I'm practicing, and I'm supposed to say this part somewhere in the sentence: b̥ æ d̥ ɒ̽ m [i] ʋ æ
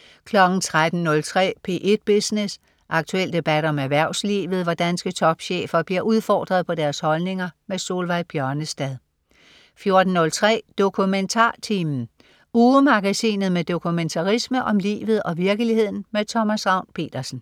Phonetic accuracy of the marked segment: incorrect: æ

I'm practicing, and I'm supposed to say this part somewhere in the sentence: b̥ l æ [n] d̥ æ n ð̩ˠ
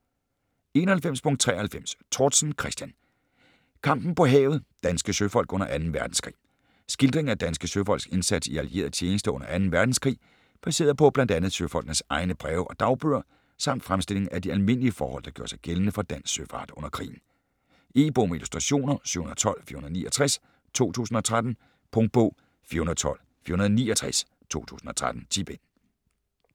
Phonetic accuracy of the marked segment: correct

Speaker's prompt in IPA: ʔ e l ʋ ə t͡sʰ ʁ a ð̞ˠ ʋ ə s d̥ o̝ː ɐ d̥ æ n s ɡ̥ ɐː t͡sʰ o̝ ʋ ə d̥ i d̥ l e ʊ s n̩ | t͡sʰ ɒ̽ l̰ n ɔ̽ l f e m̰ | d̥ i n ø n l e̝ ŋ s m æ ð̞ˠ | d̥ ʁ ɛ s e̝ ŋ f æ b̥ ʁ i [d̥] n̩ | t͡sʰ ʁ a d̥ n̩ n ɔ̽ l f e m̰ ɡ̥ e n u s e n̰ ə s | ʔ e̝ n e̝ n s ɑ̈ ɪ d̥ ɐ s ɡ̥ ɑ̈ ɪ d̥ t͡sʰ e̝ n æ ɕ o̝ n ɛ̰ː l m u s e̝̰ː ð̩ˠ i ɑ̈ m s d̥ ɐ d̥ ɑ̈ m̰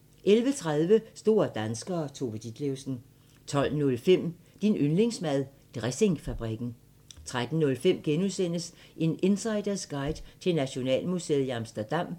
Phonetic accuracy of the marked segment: incorrect: ɡ̥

